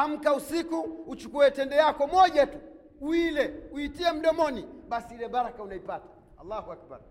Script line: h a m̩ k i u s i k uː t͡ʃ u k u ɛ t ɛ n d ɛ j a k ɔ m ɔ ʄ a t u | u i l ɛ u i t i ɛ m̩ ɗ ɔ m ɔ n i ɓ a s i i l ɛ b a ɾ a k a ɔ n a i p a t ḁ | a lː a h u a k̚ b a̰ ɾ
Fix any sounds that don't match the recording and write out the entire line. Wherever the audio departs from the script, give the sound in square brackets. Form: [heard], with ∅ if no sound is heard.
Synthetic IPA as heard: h a m̩ k [a] u s i k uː t͡ʃ u k u ɛ t ɛ n d ɛ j a k ɔ m ɔ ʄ a t u | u i l ɛ u i t i ɛ m̩ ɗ ɔ m ɔ n i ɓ a s i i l ɛ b a ɾ a k a [u] n a i p a t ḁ | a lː a h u a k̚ b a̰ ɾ